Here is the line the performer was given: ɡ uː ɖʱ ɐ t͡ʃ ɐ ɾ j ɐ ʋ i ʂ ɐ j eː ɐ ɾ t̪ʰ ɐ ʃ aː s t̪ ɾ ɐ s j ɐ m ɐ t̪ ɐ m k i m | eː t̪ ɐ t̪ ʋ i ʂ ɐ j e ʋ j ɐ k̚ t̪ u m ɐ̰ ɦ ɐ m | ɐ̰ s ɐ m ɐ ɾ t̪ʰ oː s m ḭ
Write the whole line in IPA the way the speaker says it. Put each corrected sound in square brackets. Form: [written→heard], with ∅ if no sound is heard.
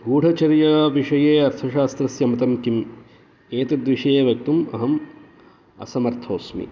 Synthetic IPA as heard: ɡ uː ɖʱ ɐ t͡ʃ ɐ ɾ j ɐ ʋ i ʂ ɐ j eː ɐ ɾ t̪ʰ ɐ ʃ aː s t̪ ɾ ɐ s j ɐ m ɐ t̪ ɐ m k i m | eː t̪ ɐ [t̪→d̪] ʋ i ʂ ɐ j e ʋ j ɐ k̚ t̪ u m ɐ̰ ɦ ɐ m | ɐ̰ s ɐ m ɐ ɾ t̪ʰ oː s m ḭ